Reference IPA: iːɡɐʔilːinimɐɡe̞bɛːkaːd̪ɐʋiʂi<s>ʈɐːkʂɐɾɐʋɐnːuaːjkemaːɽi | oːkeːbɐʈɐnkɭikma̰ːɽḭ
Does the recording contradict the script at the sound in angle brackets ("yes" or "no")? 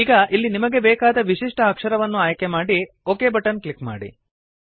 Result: yes